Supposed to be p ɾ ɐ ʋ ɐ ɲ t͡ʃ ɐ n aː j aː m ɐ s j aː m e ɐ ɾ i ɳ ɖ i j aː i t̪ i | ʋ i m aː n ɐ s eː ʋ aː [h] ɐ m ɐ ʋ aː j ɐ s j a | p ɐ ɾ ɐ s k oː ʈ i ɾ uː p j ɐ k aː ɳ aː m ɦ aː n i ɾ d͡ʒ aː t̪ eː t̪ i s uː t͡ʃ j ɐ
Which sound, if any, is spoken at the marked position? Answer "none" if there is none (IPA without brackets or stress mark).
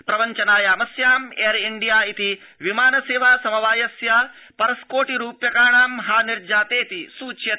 s